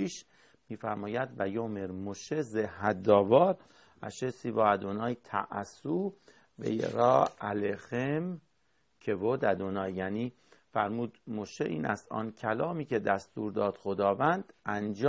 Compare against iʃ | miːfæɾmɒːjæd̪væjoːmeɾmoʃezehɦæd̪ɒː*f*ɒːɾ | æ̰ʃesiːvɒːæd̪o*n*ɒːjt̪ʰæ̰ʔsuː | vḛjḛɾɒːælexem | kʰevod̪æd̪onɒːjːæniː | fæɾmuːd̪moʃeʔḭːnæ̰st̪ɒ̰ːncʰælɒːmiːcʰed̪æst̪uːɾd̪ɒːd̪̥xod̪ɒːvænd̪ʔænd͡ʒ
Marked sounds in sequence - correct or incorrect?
incorrect, correct

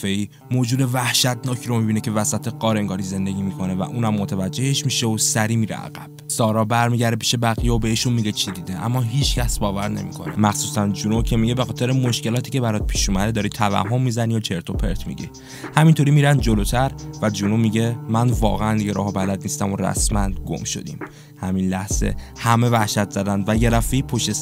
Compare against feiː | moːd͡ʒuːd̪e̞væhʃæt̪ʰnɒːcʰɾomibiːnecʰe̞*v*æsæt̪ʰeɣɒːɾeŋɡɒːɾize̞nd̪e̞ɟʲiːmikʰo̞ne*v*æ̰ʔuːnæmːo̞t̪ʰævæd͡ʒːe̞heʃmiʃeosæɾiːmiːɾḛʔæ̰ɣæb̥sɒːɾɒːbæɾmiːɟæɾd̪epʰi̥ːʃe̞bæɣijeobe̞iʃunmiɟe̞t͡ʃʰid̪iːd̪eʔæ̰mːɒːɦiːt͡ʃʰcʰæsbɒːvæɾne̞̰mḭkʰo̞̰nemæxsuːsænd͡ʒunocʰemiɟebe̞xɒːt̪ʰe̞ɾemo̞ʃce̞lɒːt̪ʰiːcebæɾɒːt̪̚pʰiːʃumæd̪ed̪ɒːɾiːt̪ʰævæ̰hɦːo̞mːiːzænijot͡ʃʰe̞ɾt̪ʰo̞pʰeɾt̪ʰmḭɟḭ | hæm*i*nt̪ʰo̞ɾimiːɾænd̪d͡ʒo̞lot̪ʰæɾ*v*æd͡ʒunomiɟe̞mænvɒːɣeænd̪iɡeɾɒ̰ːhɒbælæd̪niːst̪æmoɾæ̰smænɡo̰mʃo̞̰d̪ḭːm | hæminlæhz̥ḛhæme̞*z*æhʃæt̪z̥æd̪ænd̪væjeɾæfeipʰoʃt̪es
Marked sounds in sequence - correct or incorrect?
correct, correct, correct, correct, incorrect

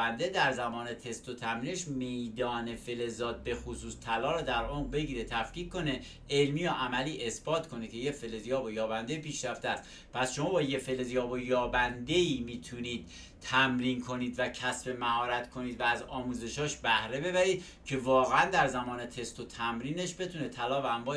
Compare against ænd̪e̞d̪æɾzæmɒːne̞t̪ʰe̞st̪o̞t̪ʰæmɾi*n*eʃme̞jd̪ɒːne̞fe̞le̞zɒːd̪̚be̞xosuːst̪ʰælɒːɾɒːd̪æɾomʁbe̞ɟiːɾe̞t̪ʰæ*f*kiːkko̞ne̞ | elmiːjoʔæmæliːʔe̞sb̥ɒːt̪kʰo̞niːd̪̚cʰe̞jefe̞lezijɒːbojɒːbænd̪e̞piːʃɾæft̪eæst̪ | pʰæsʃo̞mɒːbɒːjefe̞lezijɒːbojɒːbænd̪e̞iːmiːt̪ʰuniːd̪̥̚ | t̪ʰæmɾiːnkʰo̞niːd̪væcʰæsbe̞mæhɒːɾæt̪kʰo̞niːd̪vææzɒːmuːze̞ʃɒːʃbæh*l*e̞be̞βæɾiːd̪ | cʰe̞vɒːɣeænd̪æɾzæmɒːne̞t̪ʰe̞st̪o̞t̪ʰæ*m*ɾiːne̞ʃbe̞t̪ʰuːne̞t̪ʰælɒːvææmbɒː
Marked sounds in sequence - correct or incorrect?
correct, correct, incorrect, correct

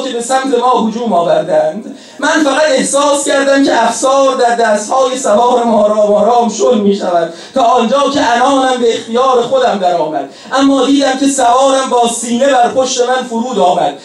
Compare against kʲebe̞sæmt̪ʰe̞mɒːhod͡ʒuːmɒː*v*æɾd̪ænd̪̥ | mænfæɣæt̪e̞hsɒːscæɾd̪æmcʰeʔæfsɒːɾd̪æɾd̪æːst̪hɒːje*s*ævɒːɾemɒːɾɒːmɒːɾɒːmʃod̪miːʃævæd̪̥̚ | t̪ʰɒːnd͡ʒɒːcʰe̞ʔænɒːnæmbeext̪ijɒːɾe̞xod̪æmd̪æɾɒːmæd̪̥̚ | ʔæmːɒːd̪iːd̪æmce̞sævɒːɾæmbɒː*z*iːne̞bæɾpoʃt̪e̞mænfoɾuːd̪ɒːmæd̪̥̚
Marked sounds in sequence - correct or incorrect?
correct, correct, incorrect

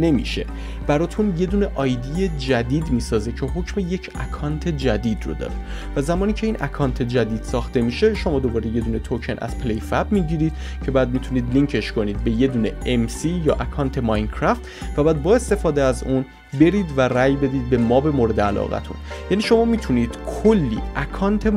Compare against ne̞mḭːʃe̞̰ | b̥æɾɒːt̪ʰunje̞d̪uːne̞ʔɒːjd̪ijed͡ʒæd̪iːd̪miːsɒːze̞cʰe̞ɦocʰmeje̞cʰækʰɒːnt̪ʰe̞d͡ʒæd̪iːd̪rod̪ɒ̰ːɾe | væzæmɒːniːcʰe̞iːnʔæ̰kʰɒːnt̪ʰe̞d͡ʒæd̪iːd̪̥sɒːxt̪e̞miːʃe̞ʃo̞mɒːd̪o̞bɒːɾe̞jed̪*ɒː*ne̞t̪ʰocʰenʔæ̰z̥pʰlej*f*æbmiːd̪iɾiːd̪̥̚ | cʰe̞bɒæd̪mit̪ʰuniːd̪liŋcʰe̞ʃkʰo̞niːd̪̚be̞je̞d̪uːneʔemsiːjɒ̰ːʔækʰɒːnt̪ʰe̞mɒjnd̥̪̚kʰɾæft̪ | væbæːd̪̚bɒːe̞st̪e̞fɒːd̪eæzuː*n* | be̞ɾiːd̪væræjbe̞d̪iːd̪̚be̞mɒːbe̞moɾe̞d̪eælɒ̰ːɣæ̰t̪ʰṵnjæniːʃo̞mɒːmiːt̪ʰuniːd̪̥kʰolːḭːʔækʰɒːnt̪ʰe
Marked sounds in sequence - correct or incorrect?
incorrect, correct, correct

